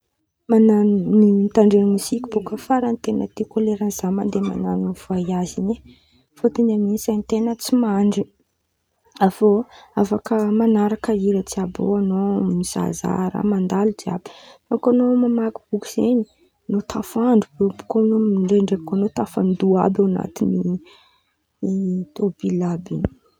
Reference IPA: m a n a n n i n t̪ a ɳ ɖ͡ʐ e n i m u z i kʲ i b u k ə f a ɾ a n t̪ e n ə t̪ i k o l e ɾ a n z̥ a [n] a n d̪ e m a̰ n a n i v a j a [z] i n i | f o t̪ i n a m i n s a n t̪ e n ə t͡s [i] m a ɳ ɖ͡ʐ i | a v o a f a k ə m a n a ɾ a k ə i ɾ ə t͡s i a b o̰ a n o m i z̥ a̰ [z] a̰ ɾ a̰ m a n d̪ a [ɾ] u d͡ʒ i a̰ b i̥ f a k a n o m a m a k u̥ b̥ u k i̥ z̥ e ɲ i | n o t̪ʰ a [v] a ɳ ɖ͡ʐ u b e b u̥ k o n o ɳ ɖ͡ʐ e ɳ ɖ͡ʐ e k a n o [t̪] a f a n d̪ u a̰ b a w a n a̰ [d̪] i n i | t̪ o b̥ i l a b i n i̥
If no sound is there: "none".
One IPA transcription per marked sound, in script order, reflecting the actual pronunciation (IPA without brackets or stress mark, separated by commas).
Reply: m, z, i, z, l, f, t̪, t̪